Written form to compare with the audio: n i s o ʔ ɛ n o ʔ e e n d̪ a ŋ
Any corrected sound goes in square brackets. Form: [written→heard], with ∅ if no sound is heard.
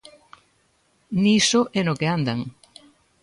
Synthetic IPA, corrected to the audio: n i s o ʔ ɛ n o [ʔ→k] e [e→a] n d̪ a ŋ